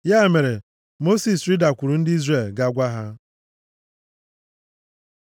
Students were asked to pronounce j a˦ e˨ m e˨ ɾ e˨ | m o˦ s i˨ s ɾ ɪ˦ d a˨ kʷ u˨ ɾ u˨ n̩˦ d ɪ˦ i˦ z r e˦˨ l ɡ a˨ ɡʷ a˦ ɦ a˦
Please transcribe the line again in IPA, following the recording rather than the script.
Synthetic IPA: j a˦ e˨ m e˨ ɾ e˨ | m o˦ s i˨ s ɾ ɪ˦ d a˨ kʷ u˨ ɾ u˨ n̩˦ d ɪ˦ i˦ z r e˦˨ l ɡ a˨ ɡʷ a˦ ɦ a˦